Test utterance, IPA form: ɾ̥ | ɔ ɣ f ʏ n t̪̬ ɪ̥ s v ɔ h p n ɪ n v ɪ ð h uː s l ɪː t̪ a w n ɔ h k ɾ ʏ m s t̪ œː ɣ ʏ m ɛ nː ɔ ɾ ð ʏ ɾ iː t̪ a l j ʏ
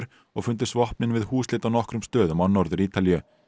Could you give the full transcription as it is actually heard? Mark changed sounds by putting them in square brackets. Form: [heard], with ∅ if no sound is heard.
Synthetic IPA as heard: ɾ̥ | ɔ ɣ f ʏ n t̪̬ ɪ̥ s v ɔ h p n ɪ n v ɪ ð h uː s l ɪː t̪ a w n ɔ h k ɾ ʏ m s t̪ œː [ð] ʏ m [a] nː ɔ ɾ ð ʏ ɾ iː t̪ a l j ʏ